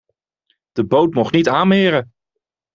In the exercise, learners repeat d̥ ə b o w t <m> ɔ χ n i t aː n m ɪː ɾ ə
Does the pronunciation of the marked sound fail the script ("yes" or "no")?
no